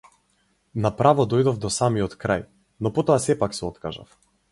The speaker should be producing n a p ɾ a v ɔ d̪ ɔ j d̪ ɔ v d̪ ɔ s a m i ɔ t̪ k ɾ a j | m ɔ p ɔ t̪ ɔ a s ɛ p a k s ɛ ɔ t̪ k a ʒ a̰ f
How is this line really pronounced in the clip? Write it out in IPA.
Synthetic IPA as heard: n a p ɾ a v ɔ d̪ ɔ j d̪ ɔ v d̪ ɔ s a m i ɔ t̪ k ɾ a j | n ɔ p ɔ t̪ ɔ a s ɛ p a k s ɛ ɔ t̪ k a ʒ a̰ f

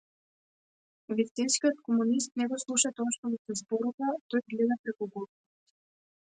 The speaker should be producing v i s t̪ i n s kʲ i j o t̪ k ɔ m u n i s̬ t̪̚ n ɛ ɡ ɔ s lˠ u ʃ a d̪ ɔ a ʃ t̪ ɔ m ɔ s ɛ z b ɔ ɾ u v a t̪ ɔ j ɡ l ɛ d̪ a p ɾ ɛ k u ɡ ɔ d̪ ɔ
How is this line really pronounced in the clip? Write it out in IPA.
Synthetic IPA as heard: v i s t̪ i n s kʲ i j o t̪ k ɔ m u n i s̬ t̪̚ n ɛ ɡ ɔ s lˠ u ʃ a t̪ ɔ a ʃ t̪ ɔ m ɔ s ɛ z b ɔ ɾ u v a t̪ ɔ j ɡ l ɛ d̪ a p ɾ ɛ k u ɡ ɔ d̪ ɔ

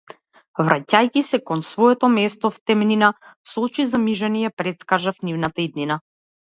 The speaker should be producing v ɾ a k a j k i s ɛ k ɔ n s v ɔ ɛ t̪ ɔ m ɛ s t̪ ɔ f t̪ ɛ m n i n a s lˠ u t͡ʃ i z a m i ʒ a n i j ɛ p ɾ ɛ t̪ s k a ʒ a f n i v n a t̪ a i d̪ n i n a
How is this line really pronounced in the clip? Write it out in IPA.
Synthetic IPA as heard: v ɾ a c a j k i s ɛ k ɔ n s v ɔ ɛ t̪ ɔ m ɛ s t̪ ɔ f t̪ ɛ m n i n a s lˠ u t͡ʃ i z a m i ʒ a n i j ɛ p ɾ ɛ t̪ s k a ʒ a f n i v n a t̪ a i d̪ n i n a

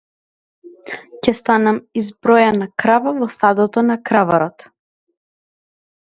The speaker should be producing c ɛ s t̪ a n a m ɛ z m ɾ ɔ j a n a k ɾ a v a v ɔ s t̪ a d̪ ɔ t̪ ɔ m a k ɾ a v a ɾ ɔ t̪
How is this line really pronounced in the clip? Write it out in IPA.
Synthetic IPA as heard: c ɛ s t̪ a n a m i z b ɾ ɔ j a n a k ɾ a v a v ɔ s t̪ a d̪ ɔ t̪ ɔ n a k ɾ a v a ɾ ɔ t̪

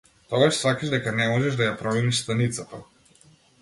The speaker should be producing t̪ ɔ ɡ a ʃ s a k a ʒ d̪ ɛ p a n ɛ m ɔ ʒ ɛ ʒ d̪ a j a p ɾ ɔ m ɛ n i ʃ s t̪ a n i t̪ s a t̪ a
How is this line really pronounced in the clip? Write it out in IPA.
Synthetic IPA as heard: t̪ ɔ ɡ a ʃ s a k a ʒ d̪ ɛ k a n ɛ m ɔ ʒ ɛ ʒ d̪ a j a p ɾ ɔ m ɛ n i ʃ s t̪ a n i t̪ s a t̪ a

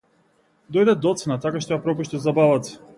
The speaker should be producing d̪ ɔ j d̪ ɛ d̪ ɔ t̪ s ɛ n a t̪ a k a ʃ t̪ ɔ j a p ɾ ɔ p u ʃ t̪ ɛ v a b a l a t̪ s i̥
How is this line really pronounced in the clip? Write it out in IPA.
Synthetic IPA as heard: d̪ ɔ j d̪ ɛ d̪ ɔ t̪ s ɛ n a t̪ a k a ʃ t̪ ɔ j a p ɾ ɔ p u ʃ t̪ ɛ z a b a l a t̪ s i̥

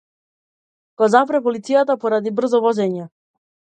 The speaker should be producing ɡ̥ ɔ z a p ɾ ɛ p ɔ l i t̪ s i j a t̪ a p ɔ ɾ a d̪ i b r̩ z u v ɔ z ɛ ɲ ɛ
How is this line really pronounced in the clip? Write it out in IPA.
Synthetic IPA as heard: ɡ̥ ɔ z a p ɾ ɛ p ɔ l i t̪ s i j a t̪ a p ɔ ɾ a d̪ i b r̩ z ɔ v ɔ z ɛ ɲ ɛ

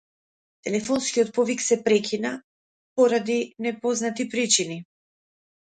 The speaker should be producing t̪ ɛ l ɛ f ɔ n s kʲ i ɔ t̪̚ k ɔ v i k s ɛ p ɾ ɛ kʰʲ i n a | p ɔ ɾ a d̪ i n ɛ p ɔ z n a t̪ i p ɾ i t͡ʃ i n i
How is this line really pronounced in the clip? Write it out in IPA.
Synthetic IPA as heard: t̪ ɛ l ɛ f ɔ n s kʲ i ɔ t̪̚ p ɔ v i k s ɛ p ɾ ɛ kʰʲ i n a | p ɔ ɾ a d̪ i n ɛ p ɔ z n a t̪ i p ɾ i t͡ʃ i n i

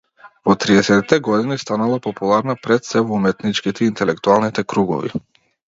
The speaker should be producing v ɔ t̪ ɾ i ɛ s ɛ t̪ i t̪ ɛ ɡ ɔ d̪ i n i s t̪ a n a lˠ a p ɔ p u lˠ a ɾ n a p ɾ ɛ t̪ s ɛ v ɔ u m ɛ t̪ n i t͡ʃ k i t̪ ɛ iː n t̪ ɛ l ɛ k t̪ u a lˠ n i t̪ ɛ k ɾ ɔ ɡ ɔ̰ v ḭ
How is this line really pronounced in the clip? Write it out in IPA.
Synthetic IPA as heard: v ɔ t̪ ɾ i ɛ s ɛ t̪ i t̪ ɛ ɡ ɔ d̪ i n i s t̪ a n a lˠ a p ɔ p u lˠ a ɾ n a p ɾ ɛ t̪ s ɛ v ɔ u m ɛ t̪ n i t͡ʃ k i t̪ ɛ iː n t̪ ɛ l ɛ k t̪ u a lˠ n i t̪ ɛ k ɾ u ɡ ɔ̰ v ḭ

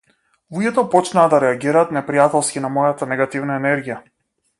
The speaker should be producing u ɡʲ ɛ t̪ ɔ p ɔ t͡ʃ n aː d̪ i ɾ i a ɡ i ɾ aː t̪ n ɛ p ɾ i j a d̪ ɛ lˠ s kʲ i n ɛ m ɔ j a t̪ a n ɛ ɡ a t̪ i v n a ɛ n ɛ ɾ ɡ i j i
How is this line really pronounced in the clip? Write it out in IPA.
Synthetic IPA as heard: u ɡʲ ɛ t̪ ɔ p ɔ t͡ʃ n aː d̪ a ɾ ɛ a ɡ i ɾ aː t̪ n ɛ p ɾ i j a t̪ ɛ lˠ s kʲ i n a m ɔ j a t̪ a n ɛ ɡ a t̪ i v n a ɛ n ɛ ɾ ɡ i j a

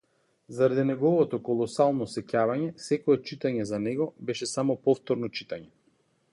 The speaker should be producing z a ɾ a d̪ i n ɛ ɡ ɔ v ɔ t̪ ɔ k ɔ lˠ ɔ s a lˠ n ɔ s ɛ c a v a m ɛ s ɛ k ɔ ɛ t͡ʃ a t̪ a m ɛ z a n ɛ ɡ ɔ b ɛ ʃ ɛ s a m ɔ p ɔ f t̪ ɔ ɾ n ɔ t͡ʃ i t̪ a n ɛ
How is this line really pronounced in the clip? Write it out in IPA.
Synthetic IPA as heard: z a ɾ a d̪ i n ɛ ɡ ɔ v ɔ t̪ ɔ k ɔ lˠ ɔ s a lˠ n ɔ s ɛ c a v a ɲ ɛ s ɛ k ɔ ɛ t͡ʃ i t̪ a ɲ ɛ z a n ɛ ɡ ɔ b ɛ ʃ ɛ s a m ɔ p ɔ f t̪ ɔ ɾ n ɔ t͡ʃ i t̪ a ɲ ɛ

